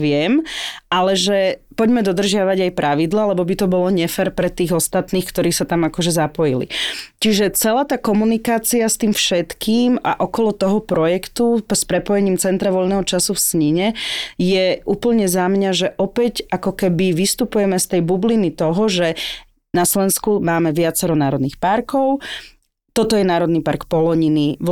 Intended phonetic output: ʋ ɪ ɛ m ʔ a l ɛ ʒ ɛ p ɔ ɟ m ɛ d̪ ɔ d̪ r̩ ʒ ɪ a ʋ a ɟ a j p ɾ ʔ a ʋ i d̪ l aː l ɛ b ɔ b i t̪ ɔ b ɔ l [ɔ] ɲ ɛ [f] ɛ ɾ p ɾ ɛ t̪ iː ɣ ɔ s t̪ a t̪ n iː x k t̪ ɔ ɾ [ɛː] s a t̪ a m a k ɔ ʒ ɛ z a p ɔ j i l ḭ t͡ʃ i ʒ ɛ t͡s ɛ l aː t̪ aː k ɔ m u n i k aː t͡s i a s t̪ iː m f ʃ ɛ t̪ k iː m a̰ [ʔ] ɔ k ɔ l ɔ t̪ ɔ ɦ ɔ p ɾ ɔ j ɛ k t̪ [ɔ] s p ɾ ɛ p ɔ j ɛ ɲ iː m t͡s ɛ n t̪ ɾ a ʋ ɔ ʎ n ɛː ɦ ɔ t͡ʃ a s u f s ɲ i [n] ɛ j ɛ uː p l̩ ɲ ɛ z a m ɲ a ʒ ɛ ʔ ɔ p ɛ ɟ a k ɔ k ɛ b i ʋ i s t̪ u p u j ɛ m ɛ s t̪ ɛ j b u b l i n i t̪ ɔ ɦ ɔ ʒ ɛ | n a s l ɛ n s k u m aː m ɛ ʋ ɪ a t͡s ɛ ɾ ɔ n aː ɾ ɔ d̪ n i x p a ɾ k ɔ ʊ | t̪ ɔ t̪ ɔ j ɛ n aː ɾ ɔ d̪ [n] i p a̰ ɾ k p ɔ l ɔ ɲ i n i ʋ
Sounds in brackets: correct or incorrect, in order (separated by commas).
correct, correct, incorrect, correct, incorrect, incorrect, correct